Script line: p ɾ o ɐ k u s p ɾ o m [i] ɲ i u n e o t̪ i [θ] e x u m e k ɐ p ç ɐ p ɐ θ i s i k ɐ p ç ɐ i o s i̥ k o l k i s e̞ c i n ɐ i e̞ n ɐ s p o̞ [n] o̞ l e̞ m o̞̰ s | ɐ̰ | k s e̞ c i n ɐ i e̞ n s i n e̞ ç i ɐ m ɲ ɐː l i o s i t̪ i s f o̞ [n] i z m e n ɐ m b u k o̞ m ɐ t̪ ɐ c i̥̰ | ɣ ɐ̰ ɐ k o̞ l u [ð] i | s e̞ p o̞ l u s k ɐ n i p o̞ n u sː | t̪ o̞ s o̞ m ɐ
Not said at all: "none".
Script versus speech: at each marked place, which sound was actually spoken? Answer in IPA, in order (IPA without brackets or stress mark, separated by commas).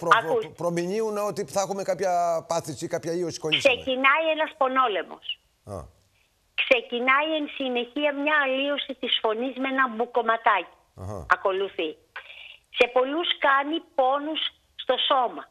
i, θ, n, n, θ